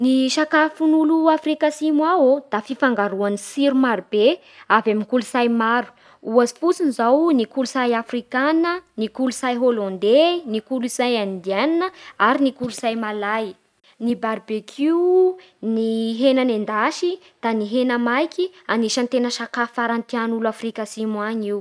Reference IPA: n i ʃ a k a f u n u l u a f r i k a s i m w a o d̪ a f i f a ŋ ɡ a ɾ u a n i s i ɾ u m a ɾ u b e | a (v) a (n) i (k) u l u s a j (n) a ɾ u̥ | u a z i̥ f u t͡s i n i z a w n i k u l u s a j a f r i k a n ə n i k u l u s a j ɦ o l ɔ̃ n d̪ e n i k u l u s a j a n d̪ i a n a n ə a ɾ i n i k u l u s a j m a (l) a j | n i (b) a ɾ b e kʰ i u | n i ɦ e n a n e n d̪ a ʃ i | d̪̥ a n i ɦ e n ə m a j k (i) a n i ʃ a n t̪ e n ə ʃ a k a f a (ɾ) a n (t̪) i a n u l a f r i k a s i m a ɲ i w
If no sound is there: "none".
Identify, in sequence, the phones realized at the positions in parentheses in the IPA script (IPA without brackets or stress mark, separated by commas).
v, m, k, m, l, b, i, ɾ, t̪